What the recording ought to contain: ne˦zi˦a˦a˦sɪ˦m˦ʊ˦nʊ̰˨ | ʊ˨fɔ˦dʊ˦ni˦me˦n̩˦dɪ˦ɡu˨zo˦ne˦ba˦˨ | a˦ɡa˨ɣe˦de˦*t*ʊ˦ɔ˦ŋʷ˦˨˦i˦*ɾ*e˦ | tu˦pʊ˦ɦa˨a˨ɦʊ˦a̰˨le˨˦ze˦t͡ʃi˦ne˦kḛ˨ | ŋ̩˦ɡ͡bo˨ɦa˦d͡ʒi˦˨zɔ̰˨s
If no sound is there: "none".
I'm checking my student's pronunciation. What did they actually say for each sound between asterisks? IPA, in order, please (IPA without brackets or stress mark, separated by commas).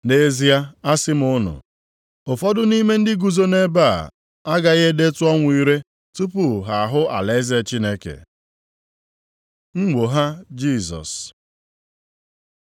t, ɾ